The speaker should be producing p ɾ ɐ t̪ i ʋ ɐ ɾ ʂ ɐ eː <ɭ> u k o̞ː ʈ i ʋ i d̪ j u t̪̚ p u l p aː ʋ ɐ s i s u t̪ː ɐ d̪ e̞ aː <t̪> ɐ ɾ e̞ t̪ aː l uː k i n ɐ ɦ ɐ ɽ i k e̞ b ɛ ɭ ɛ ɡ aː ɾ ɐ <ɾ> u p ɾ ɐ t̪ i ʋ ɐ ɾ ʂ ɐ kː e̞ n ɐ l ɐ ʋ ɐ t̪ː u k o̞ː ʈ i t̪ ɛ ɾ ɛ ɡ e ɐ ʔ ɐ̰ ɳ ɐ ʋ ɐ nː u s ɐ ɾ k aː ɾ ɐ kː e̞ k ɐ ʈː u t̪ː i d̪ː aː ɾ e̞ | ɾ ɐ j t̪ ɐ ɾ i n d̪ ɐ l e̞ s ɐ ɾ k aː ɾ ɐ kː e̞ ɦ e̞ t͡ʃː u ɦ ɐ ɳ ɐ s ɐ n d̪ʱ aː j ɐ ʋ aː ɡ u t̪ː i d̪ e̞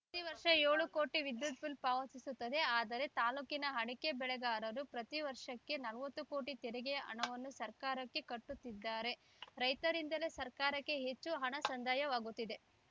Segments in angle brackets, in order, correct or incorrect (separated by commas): correct, incorrect, correct